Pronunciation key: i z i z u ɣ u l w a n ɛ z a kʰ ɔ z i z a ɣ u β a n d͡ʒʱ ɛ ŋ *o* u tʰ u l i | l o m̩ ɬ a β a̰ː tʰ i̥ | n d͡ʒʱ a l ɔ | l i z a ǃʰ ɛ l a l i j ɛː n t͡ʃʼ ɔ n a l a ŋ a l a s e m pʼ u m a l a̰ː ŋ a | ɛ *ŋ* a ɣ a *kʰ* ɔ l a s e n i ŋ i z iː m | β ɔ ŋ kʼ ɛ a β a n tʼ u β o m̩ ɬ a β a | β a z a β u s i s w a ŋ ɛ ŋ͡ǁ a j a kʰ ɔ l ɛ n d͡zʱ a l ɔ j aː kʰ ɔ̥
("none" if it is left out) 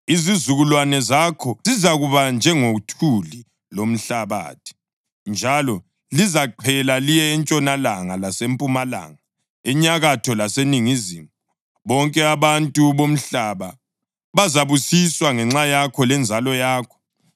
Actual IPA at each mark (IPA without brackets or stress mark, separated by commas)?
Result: o, ɲ, tʰ